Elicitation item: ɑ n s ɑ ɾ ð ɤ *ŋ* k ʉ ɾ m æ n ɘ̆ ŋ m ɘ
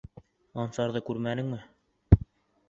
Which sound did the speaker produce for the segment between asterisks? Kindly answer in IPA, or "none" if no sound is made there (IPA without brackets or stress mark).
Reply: none